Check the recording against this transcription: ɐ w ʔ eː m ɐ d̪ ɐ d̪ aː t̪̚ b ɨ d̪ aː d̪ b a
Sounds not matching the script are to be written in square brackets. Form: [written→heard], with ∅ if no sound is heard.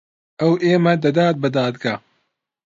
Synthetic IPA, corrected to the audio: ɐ w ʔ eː m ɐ d̪ ɐ d̪ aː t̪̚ b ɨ d̪ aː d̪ [b→ɡ] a